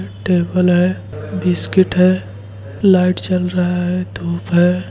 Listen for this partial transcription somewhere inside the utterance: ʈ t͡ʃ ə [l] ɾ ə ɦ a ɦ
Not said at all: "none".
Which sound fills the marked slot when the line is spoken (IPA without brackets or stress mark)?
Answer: l